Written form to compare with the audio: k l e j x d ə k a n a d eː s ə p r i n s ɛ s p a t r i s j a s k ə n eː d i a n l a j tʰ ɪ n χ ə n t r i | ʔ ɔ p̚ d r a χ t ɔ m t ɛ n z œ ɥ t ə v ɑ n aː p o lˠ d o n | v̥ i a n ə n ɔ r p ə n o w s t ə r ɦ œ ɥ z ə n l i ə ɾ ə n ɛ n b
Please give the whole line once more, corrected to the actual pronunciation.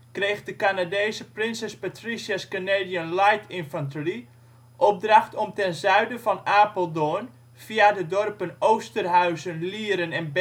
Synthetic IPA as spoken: k r e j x d ə k a n a d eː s ə p r ɪ n s ɛ s p a t r i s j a s k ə n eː d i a n l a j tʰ ɪ n f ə n t r i | ʔ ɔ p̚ d r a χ t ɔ m t ɛ n z œ ɥ d ə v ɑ n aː p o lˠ d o n | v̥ i a d ə d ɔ r p ə n o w s t ə r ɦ œ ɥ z ə n l i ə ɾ ə n ɛ n b